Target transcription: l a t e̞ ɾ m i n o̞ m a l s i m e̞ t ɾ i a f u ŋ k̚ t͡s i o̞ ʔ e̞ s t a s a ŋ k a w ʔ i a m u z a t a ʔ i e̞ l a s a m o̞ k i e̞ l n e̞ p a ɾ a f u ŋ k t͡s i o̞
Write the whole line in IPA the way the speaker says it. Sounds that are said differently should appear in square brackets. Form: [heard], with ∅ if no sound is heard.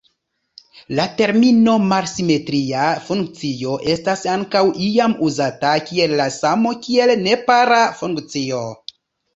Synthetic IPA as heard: l a t e̞ ɾ m i n o̞ m a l s i m e̞ t ɾ i a f u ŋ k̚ t͡s i o̞ ʔ e̞ s t a s a ŋ k a w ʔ i a m u z a t a [k] i e̞ [lː] a s a m o̞ k i e̞ l n e̞ p a ɾ a f u ŋ k t͡s i o̞